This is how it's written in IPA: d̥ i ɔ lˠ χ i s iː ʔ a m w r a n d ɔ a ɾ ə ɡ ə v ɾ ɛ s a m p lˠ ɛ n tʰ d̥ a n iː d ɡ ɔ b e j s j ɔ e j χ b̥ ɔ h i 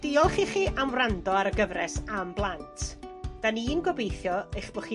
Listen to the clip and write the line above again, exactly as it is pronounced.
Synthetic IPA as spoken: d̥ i ɔ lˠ χ i χ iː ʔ a m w r a n d ɔ a ɾ ə ɡ ə v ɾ ɛ s a m b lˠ a n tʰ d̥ a n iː n ɡ ɔ b e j θ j ɔ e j χ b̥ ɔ χ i